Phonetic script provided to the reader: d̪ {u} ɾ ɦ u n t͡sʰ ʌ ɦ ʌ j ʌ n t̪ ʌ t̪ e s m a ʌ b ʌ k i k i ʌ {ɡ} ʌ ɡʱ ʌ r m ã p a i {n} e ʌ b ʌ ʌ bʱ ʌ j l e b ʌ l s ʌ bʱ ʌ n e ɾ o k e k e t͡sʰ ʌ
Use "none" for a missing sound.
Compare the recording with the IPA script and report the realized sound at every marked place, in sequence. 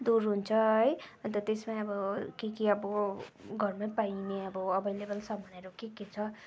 u, b, n

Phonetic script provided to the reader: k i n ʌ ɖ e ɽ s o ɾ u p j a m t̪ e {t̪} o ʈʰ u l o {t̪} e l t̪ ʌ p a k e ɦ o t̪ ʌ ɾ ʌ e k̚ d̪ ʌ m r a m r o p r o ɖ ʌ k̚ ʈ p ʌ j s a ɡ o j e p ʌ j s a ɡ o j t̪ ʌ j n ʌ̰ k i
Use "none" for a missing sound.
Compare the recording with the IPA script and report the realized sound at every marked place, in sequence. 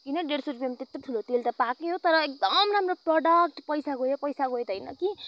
t̪, t̪

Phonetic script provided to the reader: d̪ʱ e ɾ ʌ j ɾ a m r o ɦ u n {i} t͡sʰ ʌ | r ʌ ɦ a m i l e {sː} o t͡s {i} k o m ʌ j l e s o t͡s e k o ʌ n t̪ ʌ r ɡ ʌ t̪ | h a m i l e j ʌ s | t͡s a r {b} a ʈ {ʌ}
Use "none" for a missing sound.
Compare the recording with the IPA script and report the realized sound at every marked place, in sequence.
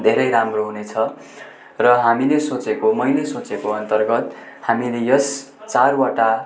e, s, e, w, a

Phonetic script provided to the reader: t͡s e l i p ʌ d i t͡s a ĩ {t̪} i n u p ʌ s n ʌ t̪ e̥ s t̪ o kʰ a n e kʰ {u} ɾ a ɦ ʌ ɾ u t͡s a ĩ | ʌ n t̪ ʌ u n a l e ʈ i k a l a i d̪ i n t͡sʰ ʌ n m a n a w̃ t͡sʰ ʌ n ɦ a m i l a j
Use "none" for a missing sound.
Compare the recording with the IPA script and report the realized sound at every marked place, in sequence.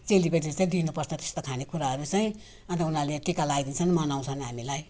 d̪, u

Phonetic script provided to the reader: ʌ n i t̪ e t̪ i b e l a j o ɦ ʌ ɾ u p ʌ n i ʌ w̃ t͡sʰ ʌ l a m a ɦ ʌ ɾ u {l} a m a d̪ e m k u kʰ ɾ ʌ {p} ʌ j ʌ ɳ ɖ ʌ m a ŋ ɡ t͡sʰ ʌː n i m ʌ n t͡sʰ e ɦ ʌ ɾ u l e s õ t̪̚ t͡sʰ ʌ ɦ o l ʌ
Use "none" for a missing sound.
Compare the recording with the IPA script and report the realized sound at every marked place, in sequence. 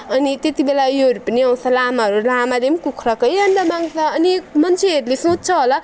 l, k

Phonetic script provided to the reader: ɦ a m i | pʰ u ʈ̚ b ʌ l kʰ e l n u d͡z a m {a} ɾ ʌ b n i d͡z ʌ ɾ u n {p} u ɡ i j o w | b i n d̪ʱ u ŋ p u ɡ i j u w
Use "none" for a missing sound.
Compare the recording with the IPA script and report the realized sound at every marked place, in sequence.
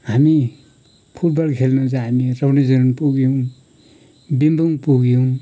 i, p

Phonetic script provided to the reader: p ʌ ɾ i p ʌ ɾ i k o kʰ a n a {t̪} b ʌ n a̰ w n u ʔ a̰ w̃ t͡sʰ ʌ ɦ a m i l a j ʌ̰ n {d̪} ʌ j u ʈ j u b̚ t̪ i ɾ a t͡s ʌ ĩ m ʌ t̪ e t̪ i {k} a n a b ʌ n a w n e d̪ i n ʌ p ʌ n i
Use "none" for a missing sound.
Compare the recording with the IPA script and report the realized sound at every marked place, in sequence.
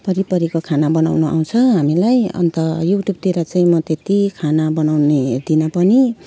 none, t̪, kʰ

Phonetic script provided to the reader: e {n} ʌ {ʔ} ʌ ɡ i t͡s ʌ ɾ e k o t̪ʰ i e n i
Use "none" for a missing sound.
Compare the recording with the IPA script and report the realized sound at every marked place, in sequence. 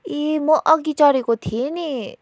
m, ʔ

